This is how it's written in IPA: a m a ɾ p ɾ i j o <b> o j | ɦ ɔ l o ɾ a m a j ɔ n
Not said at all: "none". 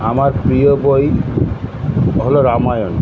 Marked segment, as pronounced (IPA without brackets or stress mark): b